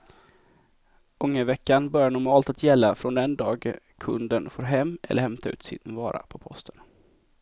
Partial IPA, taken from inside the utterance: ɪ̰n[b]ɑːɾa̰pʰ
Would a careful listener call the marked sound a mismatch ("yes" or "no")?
yes